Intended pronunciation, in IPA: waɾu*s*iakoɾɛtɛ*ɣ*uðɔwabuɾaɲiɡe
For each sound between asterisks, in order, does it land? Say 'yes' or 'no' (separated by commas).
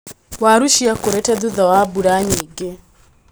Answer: no, no